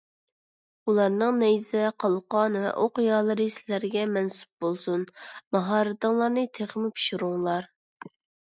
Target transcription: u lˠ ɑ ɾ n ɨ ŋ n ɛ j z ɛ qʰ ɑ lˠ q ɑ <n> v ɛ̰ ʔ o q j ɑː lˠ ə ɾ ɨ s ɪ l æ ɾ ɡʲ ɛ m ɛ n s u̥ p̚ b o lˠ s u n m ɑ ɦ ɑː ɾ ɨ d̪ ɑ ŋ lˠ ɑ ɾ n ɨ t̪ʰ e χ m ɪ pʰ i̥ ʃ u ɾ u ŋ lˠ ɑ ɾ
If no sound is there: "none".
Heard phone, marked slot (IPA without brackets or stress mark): n